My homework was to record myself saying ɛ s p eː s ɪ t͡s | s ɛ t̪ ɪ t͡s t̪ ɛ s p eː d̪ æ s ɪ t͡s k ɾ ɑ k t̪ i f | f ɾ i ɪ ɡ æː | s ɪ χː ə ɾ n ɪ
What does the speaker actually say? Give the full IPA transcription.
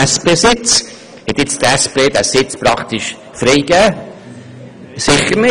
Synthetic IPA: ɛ s p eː s ɪ t͡s | h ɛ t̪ ɪ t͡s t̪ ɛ s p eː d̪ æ s ɪ t͡s p ɾ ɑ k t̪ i ʃ | f ɾ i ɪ ɡ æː | s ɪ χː ə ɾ n ɪ

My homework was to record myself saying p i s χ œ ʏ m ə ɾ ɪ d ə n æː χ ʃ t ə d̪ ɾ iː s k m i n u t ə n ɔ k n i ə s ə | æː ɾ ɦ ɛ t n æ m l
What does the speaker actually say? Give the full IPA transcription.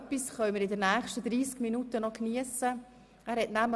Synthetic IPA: p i s χ œ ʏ m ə ɾ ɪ d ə n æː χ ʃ t ə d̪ ɾ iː s k m i n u t ə n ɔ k n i ə s ə | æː ɾ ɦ ɛ t n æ m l

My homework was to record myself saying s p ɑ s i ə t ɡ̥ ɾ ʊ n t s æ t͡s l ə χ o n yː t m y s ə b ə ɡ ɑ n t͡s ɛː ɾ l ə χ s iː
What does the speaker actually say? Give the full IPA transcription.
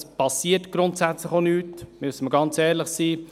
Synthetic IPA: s p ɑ s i ə t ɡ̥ ɾ ʊ n t s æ t͡s l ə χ o n yː t m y s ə m ə ɡ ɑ n t͡s ɛː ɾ l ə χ s iː

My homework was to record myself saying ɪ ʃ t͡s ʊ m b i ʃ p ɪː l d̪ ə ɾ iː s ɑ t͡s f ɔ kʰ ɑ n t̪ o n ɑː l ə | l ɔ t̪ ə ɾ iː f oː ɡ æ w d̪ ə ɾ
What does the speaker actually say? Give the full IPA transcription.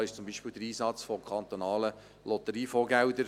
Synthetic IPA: ɪ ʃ t͡s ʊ m b i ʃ p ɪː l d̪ ə ɾ iː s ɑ t͡s f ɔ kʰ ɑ n t̪ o n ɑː l ə | l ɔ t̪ ə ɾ iː f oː ɡ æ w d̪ ə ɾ

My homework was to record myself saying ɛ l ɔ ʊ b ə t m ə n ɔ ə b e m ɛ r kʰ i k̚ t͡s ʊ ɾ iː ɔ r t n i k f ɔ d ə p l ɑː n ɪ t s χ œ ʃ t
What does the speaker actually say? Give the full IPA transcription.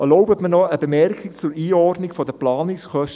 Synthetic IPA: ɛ l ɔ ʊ b ə t m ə n ɔ ə b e m ɛ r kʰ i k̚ t͡s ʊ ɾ iː ɔ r d n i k f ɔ d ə p l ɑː n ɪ k s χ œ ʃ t

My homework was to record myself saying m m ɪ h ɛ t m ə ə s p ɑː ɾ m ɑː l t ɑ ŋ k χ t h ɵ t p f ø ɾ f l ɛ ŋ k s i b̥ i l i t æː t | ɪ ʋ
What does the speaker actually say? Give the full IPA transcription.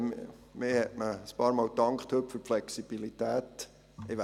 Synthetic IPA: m m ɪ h ɛ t m ə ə s p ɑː ɾ m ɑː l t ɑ ŋ k χ t h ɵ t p f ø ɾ f l ɛ k s i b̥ i l i t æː t | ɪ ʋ

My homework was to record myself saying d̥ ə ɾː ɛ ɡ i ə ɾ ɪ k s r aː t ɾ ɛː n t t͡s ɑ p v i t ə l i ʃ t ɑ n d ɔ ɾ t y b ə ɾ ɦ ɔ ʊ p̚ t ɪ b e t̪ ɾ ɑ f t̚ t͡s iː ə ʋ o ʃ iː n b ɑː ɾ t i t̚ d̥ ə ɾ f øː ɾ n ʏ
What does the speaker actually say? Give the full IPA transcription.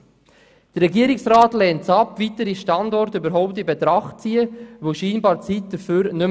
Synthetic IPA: d̥ ə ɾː ɛ ɡ i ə ɾ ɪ k s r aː t l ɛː n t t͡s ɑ p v i t ə ɾ i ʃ t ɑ n d ɔ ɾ t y b ə ɾ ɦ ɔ ʊ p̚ t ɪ b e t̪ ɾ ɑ χ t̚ t͡s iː ə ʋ o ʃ iː n b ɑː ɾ t͡s i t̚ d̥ ə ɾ f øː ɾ n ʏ

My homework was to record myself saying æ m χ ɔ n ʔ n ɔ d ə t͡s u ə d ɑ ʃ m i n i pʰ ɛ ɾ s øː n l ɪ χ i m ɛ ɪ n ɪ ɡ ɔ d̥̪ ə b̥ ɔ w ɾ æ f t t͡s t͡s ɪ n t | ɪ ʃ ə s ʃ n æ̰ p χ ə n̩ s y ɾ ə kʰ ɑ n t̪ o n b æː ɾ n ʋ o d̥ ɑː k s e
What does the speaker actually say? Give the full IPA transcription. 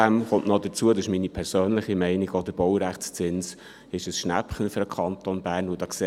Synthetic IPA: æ m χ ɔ n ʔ n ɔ d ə t͡s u ə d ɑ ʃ m i n i pʰ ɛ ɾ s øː n l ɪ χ i m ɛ ɪ n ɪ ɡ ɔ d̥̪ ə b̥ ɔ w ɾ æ χ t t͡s t͡s ɪ n s | ɪ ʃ ə s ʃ n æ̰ p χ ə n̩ f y ɾ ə kʰ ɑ n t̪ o n b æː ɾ n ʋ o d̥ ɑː k s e

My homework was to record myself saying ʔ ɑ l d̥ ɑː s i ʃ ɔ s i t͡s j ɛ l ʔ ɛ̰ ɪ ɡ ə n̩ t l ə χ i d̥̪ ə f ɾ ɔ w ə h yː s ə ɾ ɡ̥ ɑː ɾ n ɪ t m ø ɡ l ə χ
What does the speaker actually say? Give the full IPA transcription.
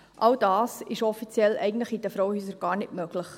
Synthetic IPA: ʔ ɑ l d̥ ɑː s ɪ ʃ ɔ f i t͡s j ɛ l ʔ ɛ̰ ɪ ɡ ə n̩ t l ə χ i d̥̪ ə f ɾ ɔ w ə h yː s ə ɾ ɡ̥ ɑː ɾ n ɪ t m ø ɡ l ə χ

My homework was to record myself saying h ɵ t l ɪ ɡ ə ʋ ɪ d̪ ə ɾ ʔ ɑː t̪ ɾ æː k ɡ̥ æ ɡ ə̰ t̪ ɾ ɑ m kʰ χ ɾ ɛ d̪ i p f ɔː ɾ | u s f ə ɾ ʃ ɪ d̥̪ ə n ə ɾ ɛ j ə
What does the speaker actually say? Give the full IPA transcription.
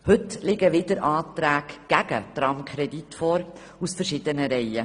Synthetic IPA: h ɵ t l ɪ ɡ ə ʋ ɪ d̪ ə ɾ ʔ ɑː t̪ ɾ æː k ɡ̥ æ ɡ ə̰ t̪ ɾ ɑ m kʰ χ ɾ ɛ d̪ i t f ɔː ɾ | u s f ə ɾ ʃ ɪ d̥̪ ə n ə ɾ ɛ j ə

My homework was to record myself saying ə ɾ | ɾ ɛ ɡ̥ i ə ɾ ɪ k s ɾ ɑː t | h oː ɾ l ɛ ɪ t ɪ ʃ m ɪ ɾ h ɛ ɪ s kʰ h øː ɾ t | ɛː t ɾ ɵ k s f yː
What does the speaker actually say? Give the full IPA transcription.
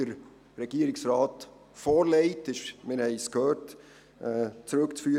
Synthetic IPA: ə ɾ | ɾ ɛ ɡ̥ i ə ɾ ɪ k s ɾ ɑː t | f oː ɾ l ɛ ɪ t ɪ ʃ m ɪ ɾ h ɛ ɪ s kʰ h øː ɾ t | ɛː t͡s ɾ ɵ k t͡s f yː

